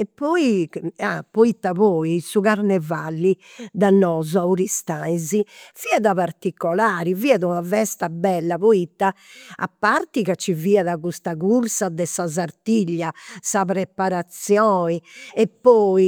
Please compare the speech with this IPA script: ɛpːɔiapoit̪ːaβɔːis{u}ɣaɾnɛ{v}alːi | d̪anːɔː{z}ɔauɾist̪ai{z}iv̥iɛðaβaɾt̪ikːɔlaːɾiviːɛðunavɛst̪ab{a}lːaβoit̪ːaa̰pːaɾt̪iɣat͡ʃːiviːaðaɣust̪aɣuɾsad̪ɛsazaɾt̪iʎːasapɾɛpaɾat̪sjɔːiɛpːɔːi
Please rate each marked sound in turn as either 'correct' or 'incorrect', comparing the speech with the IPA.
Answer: correct, correct, correct, correct, incorrect

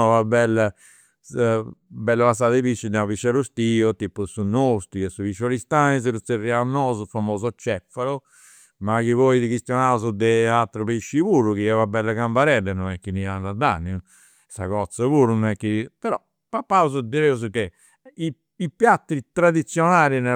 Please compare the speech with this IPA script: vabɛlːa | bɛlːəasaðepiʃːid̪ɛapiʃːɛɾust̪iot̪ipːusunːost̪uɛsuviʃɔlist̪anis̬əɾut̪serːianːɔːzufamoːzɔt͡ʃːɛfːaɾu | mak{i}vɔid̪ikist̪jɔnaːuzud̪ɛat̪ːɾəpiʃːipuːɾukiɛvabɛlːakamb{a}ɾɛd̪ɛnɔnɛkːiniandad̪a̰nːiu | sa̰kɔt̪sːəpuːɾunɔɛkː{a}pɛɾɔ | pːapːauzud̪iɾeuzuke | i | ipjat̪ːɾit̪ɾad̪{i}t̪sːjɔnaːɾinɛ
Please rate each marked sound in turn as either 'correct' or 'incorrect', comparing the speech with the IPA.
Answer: correct, correct, incorrect, correct

